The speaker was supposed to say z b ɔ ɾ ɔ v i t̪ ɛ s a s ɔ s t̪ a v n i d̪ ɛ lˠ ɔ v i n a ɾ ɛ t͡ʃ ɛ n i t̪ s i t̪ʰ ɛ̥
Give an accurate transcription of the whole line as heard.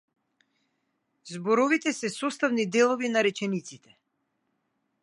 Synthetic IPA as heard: z b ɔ ɾ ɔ v i t̪ ɛ s ɛ s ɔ s t̪ a v n i d̪ ɛ lˠ ɔ v i n a ɾ ɛ t͡ʃ ɛ n i t̪ s i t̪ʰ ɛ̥